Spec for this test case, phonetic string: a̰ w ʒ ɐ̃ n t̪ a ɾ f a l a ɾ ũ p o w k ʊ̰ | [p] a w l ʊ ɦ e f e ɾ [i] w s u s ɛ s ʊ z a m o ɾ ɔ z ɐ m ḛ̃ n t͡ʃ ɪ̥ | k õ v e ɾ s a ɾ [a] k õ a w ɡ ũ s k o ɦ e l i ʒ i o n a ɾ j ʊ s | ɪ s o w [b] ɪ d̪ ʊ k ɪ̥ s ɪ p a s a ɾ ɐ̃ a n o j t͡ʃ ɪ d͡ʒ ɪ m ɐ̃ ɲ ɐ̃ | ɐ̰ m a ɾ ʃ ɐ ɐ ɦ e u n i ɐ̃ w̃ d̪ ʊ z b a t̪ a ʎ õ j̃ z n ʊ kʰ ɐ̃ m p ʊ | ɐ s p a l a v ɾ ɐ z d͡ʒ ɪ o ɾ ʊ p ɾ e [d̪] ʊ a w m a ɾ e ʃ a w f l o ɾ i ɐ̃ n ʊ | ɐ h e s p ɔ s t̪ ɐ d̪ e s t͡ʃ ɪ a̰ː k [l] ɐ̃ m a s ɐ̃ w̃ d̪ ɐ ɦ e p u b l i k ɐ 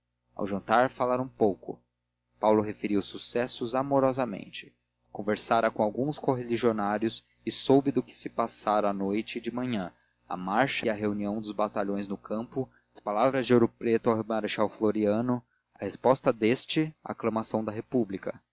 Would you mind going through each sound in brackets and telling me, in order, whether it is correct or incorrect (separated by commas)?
correct, correct, incorrect, correct, incorrect, correct